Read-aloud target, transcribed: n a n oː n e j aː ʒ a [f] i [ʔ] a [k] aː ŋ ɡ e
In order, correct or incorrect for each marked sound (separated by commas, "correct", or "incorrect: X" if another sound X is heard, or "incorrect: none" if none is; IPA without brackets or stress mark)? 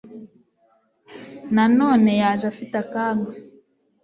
correct, incorrect: t, correct